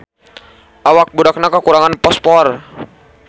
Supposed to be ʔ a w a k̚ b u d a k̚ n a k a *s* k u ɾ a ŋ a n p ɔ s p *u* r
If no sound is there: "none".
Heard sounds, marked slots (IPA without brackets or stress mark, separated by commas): none, ɔ